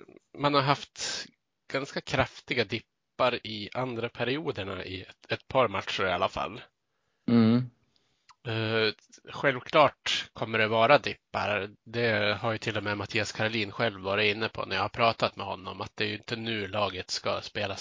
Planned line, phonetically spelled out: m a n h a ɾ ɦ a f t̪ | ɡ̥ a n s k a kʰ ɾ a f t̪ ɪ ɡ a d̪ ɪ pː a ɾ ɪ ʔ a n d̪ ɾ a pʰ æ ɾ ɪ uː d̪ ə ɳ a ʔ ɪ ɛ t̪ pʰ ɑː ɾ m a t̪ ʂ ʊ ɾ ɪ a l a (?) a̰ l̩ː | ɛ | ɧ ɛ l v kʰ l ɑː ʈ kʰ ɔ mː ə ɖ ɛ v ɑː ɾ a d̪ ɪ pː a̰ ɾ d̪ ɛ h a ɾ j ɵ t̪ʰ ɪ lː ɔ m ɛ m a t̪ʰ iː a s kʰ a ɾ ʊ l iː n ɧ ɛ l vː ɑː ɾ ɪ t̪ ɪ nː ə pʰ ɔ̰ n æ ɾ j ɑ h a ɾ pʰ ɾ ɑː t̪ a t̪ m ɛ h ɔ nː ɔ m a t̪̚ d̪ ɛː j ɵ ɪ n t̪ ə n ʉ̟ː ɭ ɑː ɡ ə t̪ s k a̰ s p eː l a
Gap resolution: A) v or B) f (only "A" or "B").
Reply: B